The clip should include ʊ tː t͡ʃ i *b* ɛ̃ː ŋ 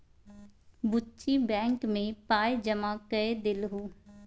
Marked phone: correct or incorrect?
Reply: correct